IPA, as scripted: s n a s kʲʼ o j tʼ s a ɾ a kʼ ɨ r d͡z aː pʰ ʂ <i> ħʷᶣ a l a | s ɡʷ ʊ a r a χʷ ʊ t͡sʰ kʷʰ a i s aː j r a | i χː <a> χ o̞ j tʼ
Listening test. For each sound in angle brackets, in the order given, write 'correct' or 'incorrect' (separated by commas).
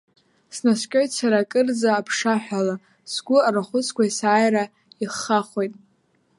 incorrect, correct